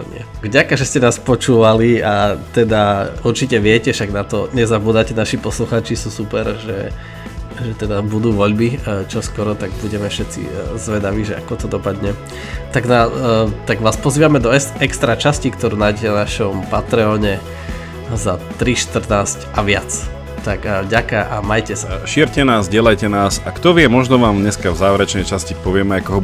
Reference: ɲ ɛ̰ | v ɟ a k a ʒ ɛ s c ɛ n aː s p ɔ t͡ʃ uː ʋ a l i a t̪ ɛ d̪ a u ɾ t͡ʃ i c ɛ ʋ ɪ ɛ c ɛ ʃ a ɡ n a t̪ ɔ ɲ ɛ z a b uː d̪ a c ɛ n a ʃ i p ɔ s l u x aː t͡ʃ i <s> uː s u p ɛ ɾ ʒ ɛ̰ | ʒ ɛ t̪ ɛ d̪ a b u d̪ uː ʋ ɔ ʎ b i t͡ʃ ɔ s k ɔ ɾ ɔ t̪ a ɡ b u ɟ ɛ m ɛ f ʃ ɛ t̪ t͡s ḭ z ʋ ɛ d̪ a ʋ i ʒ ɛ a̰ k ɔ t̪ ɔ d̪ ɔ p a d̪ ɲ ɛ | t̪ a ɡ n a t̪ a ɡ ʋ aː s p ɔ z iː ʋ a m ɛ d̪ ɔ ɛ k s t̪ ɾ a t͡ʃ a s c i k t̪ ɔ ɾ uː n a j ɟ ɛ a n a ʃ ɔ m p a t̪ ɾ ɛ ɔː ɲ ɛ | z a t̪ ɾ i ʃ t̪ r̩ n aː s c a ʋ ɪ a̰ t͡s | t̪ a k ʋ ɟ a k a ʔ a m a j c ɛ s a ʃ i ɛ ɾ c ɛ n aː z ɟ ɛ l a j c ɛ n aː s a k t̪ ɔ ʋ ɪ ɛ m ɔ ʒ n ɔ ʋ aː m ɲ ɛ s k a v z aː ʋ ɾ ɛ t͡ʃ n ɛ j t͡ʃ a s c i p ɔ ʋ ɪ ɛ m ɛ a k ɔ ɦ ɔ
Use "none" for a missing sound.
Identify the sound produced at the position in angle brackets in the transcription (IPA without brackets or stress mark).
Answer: s